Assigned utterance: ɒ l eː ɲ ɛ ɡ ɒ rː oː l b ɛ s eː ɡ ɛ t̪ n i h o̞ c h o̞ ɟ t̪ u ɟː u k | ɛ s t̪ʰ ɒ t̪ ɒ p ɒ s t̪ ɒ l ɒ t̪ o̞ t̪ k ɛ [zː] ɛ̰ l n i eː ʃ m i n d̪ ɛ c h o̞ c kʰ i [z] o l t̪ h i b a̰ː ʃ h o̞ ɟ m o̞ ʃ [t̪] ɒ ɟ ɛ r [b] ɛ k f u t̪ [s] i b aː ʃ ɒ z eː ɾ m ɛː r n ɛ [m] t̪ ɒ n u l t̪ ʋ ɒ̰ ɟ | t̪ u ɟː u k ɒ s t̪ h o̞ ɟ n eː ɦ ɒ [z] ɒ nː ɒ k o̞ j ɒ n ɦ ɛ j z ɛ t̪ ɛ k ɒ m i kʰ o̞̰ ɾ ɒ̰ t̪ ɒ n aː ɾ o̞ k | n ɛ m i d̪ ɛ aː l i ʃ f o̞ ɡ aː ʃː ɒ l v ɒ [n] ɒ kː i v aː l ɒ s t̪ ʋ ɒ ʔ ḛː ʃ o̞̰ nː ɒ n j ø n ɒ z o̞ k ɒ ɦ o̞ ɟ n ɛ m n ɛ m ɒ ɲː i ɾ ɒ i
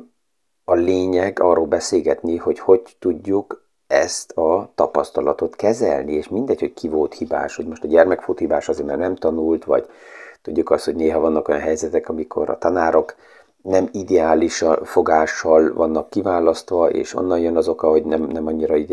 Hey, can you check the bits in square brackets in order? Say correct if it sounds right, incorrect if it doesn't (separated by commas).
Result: incorrect, incorrect, correct, incorrect, incorrect, correct, incorrect, incorrect